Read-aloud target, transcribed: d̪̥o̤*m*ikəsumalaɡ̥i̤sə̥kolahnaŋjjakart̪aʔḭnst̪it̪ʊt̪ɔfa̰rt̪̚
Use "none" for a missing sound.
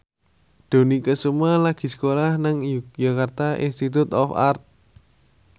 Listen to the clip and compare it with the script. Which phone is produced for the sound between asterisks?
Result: n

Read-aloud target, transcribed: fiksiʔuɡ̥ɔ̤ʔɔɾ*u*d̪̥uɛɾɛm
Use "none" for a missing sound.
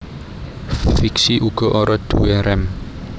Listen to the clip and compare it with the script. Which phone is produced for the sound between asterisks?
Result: ɔ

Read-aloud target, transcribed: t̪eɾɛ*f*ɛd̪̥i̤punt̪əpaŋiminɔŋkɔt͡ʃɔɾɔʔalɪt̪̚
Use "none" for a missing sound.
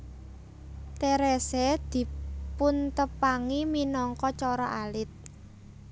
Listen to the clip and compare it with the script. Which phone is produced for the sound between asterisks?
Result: s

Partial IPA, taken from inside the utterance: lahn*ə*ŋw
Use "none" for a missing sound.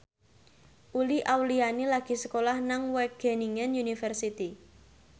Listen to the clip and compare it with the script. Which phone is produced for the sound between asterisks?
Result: a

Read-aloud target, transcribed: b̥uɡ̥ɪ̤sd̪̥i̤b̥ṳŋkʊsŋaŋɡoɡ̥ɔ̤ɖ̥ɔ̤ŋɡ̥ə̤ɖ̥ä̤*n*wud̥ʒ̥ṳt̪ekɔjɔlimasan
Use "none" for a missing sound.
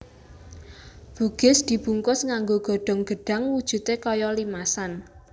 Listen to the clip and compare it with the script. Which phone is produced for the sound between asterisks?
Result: ŋ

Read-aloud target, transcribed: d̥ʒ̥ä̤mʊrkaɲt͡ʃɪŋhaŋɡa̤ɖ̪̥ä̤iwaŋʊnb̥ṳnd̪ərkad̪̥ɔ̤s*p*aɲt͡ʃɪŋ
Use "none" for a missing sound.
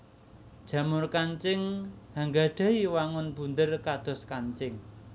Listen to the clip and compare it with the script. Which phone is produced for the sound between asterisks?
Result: k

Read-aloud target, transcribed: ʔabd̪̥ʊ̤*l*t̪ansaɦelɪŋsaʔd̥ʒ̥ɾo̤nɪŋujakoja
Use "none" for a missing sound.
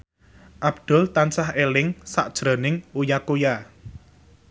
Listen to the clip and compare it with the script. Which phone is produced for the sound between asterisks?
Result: l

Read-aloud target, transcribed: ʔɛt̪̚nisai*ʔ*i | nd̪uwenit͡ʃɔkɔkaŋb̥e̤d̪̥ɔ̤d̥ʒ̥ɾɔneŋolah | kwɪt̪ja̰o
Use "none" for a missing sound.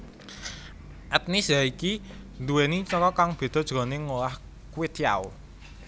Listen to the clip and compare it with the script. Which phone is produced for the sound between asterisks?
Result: k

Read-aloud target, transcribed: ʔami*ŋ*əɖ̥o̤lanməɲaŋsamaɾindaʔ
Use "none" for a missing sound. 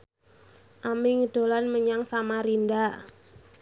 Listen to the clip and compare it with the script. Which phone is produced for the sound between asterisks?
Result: ŋ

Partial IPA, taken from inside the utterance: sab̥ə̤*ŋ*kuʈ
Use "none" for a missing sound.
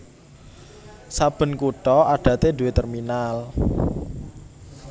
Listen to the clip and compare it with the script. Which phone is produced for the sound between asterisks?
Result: n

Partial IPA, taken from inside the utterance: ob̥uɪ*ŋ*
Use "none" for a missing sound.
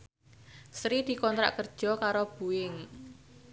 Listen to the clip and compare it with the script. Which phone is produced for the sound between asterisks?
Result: ŋ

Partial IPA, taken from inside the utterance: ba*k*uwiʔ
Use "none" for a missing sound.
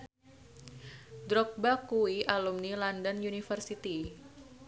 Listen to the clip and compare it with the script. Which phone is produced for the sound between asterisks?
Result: k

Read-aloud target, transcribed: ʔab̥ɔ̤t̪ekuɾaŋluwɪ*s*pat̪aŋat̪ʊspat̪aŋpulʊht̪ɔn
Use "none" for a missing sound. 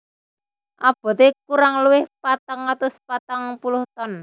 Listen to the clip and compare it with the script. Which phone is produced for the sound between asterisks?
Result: h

